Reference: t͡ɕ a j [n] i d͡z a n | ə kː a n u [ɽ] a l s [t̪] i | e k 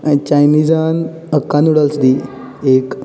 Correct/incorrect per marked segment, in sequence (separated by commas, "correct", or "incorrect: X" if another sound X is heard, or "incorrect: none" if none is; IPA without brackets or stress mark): correct, correct, incorrect: d̪